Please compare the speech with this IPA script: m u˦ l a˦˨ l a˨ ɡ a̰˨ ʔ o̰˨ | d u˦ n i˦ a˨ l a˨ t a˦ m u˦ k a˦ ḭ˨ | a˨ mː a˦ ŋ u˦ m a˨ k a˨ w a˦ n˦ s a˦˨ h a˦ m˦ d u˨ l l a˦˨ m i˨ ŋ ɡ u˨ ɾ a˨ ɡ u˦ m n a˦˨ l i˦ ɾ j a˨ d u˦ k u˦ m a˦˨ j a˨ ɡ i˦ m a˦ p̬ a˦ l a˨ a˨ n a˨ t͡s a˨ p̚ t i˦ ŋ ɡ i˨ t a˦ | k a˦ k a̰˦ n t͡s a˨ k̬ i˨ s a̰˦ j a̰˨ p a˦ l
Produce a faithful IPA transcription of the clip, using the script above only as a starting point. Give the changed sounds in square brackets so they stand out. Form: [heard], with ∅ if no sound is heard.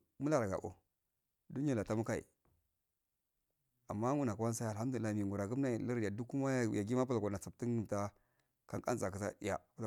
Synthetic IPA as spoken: m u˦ l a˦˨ [ɾ] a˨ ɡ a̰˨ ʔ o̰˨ | d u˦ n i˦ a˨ l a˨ t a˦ m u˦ k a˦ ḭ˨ | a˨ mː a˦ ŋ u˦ [n] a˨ k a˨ w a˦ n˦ s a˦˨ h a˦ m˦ d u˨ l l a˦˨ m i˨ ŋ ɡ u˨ ɾ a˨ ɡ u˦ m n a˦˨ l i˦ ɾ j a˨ d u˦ k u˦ m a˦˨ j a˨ ɡ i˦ m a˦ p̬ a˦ l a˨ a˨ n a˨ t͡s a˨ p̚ t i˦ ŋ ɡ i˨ t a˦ | k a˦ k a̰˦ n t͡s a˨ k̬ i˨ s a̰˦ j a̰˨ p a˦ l

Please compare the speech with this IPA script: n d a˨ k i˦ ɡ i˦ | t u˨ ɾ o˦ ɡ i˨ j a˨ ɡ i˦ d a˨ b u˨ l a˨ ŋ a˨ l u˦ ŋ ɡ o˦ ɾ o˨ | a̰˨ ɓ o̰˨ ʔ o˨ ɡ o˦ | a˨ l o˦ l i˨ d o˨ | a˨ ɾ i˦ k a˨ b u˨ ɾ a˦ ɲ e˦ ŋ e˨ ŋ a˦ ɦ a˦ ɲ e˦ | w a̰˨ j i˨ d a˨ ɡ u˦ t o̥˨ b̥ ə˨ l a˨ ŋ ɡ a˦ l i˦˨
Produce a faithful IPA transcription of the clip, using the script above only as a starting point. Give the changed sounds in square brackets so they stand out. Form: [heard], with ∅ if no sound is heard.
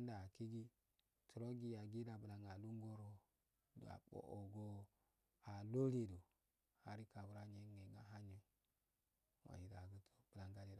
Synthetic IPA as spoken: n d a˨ k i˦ ɡ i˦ | t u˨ ɾ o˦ ɡ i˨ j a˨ ɡ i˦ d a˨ b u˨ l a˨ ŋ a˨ l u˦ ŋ ɡ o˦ ɾ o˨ | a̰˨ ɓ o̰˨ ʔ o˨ ɡ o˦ | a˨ l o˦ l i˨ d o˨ | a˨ ɾ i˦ k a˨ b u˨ ɾ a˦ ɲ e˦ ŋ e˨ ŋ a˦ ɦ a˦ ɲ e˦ | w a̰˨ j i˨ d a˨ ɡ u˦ t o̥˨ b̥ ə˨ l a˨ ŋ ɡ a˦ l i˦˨

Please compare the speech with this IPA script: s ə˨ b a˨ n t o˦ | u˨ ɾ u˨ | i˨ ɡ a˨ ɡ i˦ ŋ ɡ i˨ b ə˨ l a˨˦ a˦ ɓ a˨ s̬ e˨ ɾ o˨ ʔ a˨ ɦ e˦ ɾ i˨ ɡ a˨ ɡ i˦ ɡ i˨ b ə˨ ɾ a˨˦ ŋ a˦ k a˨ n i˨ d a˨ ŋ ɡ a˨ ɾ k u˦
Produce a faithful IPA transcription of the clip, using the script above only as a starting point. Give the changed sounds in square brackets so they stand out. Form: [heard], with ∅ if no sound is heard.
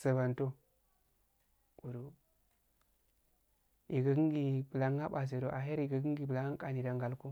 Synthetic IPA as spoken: s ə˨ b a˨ n t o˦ | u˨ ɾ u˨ | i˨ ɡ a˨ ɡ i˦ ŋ ɡ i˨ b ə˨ l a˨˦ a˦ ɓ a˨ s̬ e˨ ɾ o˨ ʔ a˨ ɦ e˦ ɾ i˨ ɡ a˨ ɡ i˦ ɡ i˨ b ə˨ [l] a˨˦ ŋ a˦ k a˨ n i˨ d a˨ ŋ ɡ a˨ [l] k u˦

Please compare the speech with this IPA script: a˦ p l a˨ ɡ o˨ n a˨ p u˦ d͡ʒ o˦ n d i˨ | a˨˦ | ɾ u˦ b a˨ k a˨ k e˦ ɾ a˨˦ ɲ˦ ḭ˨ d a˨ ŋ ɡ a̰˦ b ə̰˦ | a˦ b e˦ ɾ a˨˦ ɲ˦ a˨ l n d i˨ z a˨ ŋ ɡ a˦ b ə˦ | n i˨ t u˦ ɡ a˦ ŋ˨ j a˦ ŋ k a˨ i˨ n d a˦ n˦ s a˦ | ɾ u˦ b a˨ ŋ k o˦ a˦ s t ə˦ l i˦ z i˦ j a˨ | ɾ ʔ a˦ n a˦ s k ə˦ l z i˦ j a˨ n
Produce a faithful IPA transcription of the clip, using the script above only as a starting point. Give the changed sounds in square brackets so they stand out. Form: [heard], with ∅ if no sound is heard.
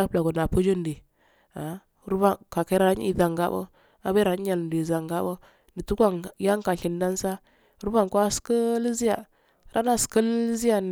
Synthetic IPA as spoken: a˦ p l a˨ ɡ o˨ n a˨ p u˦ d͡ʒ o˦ n d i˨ | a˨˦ | ɾ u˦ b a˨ k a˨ k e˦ ɾ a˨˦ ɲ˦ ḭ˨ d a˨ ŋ ɡ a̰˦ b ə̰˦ | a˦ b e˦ ɾ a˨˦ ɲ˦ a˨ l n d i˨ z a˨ ŋ ɡ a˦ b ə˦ | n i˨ t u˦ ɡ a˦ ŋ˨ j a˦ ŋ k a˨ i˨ n d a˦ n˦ s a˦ | ɾ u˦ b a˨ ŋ k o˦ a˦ s [k] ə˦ l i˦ z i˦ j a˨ | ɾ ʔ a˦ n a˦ s k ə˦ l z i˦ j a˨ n

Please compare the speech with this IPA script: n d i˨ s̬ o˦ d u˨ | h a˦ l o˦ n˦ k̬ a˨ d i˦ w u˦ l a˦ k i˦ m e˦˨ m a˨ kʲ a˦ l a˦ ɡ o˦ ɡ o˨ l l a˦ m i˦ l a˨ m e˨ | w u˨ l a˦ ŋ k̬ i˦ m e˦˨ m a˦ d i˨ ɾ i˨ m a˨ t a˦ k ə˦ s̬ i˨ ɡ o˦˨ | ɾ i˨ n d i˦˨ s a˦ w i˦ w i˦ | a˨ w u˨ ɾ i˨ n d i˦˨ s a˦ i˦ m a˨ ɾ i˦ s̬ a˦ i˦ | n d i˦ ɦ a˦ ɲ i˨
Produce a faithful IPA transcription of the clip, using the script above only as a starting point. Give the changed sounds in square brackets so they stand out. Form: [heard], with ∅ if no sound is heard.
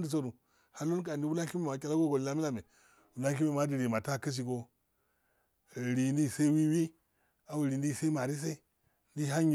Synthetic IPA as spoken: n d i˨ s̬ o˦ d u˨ | h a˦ l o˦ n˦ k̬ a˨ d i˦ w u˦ l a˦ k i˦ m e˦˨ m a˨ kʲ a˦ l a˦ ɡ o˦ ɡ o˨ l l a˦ m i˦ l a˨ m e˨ | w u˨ l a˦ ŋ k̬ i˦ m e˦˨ m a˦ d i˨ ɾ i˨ m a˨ t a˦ k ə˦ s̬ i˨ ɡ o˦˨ | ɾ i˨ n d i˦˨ s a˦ w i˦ w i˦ | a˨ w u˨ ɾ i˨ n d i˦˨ s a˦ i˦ m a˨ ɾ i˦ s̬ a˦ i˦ | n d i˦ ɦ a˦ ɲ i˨

